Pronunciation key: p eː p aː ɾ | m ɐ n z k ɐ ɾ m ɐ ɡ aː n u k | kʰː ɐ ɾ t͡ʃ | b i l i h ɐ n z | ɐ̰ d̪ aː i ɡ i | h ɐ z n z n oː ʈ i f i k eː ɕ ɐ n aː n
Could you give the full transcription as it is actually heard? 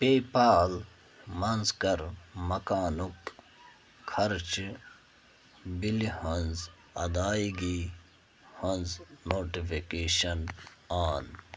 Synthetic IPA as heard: p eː p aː l | m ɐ n z k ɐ ɾ m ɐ k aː n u k | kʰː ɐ ɾ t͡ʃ | b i l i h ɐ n z | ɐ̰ d̪ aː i ɡ i | h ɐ n z n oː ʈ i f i k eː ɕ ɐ n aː n

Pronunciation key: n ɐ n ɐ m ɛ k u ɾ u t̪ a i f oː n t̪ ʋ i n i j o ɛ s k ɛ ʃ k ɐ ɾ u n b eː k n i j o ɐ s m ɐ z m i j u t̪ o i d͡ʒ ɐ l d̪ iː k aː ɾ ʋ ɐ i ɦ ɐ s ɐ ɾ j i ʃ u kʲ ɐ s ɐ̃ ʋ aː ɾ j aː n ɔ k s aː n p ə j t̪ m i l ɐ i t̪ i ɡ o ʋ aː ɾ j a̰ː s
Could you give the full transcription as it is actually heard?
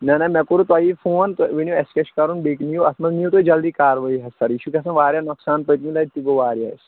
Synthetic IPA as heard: n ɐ n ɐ m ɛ k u ɾ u t̪ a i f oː n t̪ ʋ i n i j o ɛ s k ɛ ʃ k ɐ ɾ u n b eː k n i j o ɐ s m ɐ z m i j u t̪ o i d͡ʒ ɐ l d̪ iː k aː ɾ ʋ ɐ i ɦ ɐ s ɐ ɾ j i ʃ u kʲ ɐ s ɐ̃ ʋ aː ɾ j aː n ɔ k s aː n p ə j t̪ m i l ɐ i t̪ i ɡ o ʋ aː ɾ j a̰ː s

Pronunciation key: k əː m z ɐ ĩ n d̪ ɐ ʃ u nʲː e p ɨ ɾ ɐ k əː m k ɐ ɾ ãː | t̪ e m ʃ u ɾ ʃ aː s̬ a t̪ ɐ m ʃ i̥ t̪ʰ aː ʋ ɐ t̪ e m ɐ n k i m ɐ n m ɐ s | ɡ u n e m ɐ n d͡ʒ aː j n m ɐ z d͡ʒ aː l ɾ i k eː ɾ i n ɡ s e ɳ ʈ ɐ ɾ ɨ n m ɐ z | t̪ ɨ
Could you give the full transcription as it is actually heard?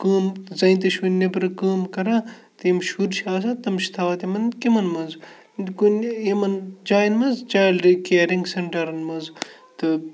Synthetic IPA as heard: k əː m z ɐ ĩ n t̪ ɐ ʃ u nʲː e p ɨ ɾ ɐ k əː m k ɐ ɾ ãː | t̪ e m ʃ u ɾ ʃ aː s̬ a t̪ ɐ m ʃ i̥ t̪ʰ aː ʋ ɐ t̪ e m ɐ n k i m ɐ n m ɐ z | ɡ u n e m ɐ n d͡ʒ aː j n m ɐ z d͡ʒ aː l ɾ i k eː ɾ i ŋ ɡ s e ɳ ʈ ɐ ɾ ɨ n m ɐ z | t̪ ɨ

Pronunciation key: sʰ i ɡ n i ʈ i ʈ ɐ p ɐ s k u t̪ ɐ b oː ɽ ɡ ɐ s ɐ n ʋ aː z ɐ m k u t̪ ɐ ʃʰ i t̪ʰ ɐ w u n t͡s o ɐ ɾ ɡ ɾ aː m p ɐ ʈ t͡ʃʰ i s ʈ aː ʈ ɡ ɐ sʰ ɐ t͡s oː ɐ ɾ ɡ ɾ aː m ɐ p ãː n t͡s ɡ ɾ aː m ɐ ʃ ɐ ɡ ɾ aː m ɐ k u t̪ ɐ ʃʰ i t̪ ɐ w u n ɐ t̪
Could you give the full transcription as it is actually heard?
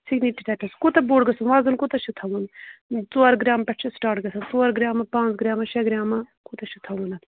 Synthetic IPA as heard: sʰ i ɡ n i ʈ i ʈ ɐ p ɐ s k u t̪ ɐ b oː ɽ ɡ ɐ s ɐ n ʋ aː z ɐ n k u t̪ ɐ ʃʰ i t̪ʰ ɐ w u n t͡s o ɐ ɾ ɡ ɾ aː m p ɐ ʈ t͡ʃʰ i s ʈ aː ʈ ɡ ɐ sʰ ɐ t͡s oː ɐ ɾ ɡ ɾ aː m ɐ p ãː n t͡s ɡ ɾ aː m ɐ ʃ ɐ ɡ ɾ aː m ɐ k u t̪ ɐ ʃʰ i t̪ʰ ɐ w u n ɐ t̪

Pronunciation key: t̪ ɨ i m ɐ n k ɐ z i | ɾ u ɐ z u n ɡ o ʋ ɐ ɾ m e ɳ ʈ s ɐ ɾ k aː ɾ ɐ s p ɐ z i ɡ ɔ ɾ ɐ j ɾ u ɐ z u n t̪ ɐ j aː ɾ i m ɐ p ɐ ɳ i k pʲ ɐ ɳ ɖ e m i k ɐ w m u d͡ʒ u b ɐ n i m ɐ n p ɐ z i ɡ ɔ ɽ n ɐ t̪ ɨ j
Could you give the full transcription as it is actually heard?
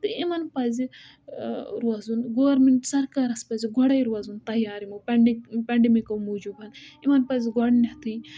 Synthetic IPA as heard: t̪ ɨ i m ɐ n p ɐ z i | ɾ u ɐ z u n ɡ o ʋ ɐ ɾ m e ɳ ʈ s ɐ ɾ k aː ɾ ɐ s p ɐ z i ɡ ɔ ɽ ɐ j ɾ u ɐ z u n t̪ ɐ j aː ɾ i m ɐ p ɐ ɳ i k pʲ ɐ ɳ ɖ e m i k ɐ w m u d͡ʒ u b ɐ n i m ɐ n p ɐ z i ɡ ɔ ɽ n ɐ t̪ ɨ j

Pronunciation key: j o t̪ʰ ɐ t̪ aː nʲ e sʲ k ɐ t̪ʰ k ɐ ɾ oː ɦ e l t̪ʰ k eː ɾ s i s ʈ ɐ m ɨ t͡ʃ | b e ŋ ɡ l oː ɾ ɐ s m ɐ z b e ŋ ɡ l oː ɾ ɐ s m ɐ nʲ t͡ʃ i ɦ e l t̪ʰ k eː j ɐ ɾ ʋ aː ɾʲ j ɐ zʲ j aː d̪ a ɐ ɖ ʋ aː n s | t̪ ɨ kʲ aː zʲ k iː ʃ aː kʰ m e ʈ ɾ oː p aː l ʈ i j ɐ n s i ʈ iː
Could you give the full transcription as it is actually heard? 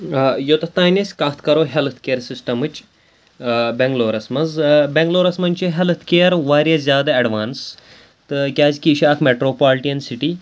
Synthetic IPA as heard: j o t̪ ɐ t̪ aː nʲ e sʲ k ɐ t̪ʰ k ɐ ɾ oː ɦ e l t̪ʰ k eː ɾ s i s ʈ ɐ m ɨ t͡ʃ | b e ŋ ɡ l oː ɾ ɐ s m ɐ z b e ŋ ɡ l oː ɾ ɐ s m ɐ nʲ t͡ʃ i ɦ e l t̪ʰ k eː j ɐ ɾ ʋ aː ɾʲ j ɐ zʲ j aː d̪ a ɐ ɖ ʋ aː n s | t̪ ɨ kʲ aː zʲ k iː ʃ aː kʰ m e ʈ ɾ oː p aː l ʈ i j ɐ n s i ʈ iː

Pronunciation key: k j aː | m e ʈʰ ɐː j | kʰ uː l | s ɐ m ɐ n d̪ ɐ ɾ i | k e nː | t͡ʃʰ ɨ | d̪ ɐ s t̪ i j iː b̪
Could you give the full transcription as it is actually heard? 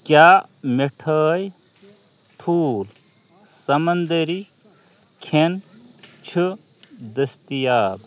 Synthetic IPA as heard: k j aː | m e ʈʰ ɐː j | ʈʰ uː l | s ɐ m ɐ n d̪ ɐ ɾ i | kʰ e n | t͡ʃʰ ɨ | d̪ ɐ s t̪ i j aː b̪

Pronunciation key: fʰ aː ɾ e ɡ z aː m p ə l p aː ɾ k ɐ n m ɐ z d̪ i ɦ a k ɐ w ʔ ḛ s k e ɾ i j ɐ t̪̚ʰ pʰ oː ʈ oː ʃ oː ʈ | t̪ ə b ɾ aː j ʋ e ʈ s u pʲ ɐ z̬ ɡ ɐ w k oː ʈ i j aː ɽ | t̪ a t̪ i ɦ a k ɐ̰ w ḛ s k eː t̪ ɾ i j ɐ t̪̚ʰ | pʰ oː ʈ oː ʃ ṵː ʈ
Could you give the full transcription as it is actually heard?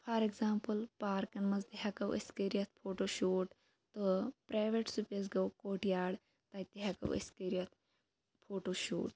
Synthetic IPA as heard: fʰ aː ɾ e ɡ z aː m p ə l p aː ɾ k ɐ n m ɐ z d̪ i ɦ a k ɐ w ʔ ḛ s k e ɾ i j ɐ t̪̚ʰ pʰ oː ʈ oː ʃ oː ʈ | t̪ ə p ɾ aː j ʋ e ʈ s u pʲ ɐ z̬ ɡ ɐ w k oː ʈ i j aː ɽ | t̪ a t̪ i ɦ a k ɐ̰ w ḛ s k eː ɾ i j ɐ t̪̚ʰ | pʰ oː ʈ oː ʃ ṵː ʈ

